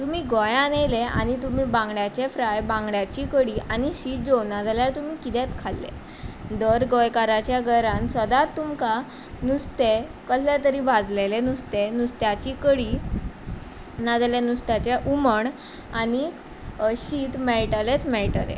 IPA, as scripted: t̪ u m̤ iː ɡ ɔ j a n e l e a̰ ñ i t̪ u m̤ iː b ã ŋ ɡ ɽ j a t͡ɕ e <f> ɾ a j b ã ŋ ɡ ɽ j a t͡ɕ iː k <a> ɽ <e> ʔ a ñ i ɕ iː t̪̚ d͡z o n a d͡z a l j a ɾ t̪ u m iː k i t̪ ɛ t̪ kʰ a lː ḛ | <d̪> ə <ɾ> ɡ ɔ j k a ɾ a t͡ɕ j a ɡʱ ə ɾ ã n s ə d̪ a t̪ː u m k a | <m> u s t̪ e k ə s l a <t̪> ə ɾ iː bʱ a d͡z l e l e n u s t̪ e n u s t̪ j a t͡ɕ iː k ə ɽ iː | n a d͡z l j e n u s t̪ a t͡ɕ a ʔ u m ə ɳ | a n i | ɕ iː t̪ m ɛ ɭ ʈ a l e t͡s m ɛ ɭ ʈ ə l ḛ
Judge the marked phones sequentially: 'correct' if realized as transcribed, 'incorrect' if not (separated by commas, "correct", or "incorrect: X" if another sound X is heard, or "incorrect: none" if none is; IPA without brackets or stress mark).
correct, incorrect: ə, incorrect: i, correct, correct, incorrect: n, correct